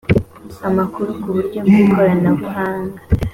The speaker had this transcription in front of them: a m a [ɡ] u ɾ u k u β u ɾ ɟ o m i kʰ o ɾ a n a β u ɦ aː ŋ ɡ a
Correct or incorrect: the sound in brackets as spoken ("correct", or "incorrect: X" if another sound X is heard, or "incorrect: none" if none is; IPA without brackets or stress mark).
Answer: incorrect: k